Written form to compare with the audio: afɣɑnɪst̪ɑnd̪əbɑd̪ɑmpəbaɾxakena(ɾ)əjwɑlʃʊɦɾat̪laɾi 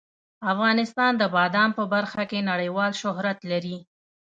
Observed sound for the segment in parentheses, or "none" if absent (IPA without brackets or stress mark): ɽ